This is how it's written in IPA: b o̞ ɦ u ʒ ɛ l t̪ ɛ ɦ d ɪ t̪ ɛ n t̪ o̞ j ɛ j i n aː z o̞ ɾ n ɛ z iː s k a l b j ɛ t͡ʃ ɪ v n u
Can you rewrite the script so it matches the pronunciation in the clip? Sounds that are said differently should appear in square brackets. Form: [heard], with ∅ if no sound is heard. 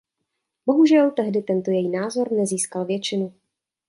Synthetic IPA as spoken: b o̞ ɦ u ʒ ɛ l t̪ ɛ ɦ d ɪ t̪ ɛ n t̪ o̞ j ɛ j i n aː z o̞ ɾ n ɛ z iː s k a l [v] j ɛ t͡ʃ ɪ [∅] n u